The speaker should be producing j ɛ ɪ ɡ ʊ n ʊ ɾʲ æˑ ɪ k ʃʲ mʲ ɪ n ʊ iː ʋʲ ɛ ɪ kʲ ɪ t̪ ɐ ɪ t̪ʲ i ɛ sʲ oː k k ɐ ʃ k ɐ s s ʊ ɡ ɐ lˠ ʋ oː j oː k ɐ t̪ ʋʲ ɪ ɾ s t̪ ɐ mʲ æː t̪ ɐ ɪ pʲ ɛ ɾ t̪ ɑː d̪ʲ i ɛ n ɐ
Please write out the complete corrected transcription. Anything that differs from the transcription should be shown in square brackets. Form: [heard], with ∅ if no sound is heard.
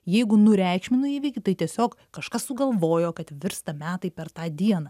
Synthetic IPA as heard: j ɛ ɪ ɡ ʊ n ʊ ɾʲ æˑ ɪ k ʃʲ mʲ ɪ n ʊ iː ʋʲ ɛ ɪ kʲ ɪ t̪ ɐ ɪ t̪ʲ i ɛ sʲ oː k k ɐ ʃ k ɐ s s ʊ ɡ ɐ lˠ ʋ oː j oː k ɐ t̪ ʋʲ ɪ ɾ s t̪ ɐ mʲ æː t̪ ɐ ɪ pʲ ɛ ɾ t̪ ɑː d̪ʲ i ɛ n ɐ